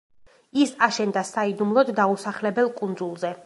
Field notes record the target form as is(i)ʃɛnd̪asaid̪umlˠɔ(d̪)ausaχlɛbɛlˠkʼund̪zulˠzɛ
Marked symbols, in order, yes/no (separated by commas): no, no